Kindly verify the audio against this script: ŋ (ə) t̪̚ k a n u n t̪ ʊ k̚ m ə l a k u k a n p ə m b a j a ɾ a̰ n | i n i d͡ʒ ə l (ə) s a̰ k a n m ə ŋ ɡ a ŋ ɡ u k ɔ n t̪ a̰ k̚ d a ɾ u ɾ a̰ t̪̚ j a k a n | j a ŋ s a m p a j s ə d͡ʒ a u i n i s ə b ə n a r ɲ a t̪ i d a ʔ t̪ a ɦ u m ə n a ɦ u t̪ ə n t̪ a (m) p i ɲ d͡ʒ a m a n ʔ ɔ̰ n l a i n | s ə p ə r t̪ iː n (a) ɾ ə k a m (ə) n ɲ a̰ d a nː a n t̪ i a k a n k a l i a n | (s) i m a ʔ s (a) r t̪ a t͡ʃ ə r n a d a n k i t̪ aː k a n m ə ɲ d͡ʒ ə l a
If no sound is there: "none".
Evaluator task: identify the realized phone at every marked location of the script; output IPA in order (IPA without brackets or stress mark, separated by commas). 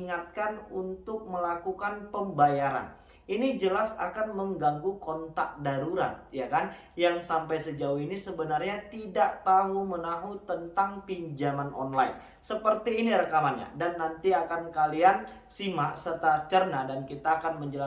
a, a, ŋ, i, a, s, ə